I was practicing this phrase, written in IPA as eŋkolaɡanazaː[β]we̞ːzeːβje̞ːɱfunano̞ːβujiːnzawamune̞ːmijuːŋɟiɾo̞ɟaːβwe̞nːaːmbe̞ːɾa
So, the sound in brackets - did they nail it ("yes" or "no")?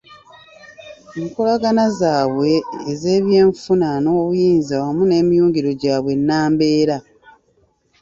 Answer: yes